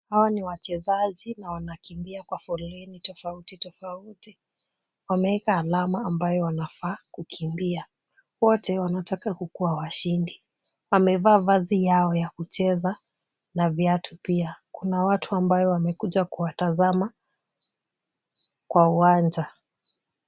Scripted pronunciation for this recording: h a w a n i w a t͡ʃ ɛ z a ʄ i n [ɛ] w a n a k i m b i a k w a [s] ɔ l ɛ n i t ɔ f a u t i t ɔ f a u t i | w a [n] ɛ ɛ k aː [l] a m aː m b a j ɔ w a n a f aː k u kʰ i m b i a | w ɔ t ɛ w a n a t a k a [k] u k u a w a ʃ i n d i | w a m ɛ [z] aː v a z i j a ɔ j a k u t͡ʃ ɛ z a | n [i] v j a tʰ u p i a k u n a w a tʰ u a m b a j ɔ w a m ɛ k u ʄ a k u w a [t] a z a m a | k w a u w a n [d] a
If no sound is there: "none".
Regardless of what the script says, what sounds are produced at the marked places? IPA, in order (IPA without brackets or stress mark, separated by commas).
a, f, m, l, k, v, a, t, d͡ʒ